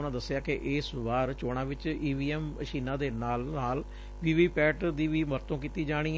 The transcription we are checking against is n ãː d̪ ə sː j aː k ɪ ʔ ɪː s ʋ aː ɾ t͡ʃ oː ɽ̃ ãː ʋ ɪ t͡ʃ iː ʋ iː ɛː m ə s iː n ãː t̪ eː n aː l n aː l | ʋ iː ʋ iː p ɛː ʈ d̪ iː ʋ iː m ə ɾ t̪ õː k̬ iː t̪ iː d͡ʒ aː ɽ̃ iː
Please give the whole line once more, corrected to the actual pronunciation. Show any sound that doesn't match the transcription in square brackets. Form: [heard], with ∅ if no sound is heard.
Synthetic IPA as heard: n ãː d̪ ə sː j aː k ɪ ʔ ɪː s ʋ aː ɾ t͡ʃ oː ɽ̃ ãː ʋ ɪ t͡ʃ iː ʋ iː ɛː m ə [ʃ] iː n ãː [d̪] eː n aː l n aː l | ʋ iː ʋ iː p ɛː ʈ d̪ iː ʋ iː m ə ɾ t̪ õː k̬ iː t̪ iː d͡ʒ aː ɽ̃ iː